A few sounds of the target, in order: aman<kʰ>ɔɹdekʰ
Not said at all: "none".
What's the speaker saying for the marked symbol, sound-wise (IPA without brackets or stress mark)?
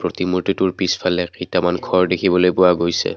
kʰ